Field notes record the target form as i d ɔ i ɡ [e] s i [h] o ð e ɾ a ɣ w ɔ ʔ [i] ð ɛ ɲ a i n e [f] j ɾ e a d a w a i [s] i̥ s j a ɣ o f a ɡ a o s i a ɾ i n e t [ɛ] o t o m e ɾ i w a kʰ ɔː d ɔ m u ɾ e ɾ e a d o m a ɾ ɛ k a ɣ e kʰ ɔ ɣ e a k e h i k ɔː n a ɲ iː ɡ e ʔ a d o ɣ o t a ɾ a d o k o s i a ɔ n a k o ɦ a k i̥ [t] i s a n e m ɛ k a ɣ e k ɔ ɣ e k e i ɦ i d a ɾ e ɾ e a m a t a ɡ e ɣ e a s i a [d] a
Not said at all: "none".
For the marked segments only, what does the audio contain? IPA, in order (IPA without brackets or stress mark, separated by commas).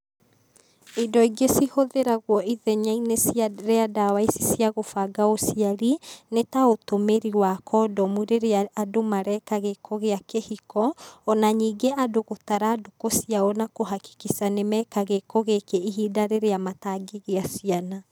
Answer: e, h, i, s, s, a, k, n